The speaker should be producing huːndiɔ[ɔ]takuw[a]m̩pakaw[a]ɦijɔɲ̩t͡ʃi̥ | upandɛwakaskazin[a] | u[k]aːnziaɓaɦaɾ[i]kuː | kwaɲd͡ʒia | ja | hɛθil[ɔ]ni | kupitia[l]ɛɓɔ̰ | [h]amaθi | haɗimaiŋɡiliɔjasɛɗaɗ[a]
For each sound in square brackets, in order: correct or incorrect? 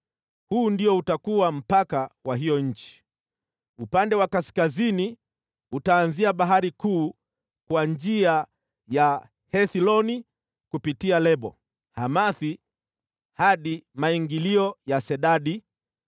incorrect, correct, correct, incorrect, incorrect, correct, correct, correct, correct, incorrect

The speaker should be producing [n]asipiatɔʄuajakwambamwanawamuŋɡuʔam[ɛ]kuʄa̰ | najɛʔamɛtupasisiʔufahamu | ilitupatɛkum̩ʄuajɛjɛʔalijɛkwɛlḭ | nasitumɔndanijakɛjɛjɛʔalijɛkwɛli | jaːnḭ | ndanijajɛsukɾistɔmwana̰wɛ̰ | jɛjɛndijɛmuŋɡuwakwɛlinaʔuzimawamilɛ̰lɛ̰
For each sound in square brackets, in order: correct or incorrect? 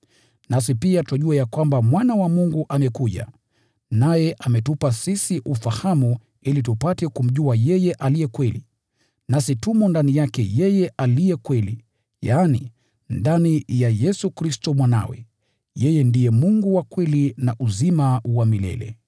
correct, correct

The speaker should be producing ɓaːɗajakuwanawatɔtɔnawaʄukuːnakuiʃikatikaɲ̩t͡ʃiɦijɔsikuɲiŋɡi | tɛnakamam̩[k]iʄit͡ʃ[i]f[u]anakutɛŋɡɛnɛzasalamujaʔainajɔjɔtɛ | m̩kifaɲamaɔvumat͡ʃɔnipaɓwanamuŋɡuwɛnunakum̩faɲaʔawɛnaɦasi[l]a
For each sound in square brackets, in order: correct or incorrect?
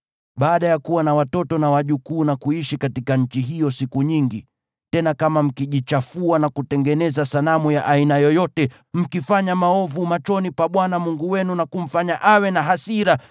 correct, incorrect, correct, incorrect

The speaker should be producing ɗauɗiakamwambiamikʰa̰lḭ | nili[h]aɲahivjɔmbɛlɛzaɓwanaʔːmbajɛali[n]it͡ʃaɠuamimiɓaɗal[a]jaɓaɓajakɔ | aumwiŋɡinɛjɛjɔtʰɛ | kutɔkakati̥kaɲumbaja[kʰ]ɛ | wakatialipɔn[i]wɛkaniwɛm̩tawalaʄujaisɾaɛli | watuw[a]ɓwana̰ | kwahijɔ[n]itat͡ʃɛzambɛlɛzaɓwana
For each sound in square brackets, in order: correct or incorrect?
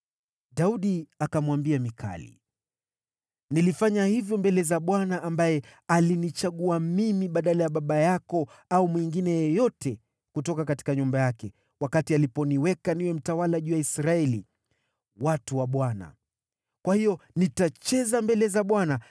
incorrect, correct, correct, incorrect, correct, correct, correct

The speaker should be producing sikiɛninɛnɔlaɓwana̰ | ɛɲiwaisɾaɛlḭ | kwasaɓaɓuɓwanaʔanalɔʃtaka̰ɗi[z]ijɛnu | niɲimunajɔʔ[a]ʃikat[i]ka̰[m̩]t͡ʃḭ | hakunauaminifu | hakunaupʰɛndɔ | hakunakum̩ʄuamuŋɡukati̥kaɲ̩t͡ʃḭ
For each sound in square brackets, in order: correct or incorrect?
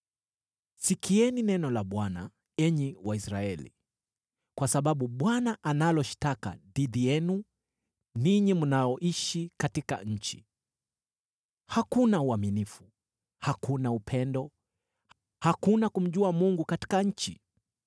incorrect, incorrect, correct, incorrect

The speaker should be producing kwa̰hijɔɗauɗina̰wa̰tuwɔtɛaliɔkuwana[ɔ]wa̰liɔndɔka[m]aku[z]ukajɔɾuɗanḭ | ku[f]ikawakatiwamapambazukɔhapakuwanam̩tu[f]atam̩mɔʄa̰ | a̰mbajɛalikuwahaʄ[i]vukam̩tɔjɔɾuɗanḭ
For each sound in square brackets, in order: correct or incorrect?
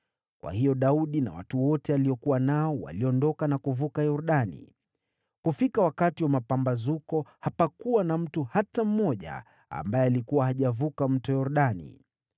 correct, incorrect, incorrect, correct, incorrect, incorrect

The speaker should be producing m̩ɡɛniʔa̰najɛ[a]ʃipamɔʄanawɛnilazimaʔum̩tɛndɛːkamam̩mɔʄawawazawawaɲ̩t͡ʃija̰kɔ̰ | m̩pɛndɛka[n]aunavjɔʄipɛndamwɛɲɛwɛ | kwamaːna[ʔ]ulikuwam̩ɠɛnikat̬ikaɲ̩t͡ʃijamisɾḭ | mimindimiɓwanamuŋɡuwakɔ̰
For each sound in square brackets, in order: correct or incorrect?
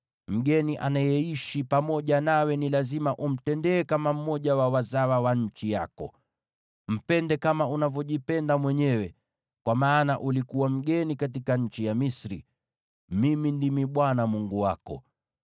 incorrect, incorrect, correct

